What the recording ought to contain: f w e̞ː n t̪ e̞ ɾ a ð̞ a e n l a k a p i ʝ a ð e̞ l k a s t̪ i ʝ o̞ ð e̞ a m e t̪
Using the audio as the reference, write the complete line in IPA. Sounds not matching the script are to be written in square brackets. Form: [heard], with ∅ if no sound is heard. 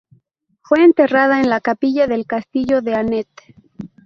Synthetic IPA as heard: f w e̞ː n t̪ e̞ [r] a ð̞ a e n l a k a p i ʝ a ð e̞ l k a s t̪ i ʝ o̞ ð e̞ a [n] e t̪